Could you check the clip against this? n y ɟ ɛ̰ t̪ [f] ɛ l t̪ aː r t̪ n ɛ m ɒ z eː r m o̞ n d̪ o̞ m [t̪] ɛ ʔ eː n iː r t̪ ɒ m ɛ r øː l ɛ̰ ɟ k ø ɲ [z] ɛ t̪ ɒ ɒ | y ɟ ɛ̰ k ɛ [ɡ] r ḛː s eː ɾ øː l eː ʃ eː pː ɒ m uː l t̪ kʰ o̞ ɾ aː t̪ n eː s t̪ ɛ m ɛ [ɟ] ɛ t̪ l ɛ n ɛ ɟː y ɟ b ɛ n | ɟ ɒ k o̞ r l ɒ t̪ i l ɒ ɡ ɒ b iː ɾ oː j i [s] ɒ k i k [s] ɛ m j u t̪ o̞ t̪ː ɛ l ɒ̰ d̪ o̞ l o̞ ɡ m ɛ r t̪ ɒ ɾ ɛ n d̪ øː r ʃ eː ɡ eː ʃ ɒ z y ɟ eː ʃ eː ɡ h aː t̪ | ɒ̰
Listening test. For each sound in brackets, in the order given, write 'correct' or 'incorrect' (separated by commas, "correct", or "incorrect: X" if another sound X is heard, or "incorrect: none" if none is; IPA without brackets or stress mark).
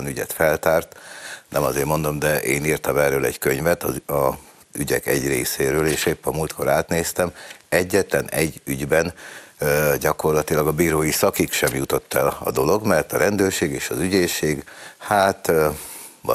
correct, incorrect: d̪, incorrect: v, incorrect: ɟ, incorrect: ɟː, correct, incorrect: ʃ